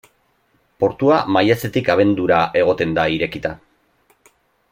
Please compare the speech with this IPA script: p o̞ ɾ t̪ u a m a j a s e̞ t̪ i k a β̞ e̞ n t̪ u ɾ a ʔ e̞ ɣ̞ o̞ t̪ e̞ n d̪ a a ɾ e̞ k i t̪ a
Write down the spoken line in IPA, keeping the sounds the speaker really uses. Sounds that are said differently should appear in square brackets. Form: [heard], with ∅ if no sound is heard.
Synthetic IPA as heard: p o̞ ɾ t̪ u a m a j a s e̞ t̪ i k a β̞ e̞ n [d̪] u ɾ a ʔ e̞ ɣ̞ o̞ t̪ e̞ n d̪ a [i] ɾ e̞ k i t̪ a